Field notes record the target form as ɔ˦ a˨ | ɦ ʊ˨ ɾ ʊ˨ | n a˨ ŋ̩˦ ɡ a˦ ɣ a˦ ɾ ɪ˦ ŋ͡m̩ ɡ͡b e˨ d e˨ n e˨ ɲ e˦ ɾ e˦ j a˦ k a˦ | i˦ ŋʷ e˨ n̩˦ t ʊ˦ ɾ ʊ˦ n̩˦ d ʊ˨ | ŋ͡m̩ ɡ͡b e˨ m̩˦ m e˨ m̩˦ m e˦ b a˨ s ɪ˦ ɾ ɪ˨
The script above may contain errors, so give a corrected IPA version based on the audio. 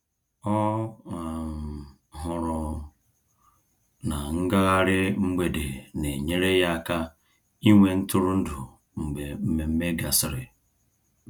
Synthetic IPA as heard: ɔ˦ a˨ | ɦ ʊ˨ ɾ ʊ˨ | n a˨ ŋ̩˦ ɡ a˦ ɣ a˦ ɾ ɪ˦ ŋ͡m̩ ɡ͡b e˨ d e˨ n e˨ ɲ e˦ ɾ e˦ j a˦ k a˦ | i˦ ŋʷ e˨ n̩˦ t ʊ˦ ɾ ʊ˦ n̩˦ d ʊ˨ | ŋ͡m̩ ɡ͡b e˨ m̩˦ m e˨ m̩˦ m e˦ ɡ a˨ s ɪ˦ ɾ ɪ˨

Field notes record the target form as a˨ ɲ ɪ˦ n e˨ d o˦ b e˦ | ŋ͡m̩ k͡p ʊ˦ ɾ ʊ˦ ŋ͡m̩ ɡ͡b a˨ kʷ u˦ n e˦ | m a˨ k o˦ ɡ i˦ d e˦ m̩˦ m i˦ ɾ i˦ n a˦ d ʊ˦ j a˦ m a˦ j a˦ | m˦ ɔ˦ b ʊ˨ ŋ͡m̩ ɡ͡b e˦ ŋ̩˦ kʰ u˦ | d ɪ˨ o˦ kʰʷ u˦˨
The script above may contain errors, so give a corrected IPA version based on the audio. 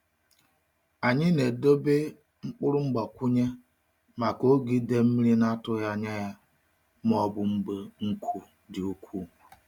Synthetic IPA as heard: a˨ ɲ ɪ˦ n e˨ d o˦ b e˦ | ŋ͡m̩ k͡p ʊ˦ ɾ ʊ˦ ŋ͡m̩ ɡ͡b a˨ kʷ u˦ ɲ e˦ | m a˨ k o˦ ɡ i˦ d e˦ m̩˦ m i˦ ɾ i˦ n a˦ t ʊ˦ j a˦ ɲ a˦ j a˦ | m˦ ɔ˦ b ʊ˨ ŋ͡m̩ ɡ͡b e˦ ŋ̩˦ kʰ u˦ | d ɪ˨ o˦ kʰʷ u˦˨

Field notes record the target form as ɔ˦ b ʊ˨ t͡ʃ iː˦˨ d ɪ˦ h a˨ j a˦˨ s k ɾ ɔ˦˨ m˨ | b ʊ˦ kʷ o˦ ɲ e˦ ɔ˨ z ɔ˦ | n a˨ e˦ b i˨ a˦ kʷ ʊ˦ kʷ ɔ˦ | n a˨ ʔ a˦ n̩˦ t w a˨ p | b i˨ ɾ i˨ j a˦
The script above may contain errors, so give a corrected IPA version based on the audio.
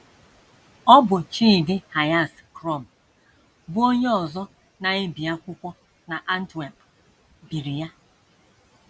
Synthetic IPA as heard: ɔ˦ b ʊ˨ t͡ʃ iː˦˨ d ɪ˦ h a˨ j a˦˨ s k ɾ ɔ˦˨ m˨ | b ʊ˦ o˦ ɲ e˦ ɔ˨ z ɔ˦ | n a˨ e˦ b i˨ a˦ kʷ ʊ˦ kʷ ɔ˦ | n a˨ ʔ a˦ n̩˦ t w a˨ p | b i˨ ɾ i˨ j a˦

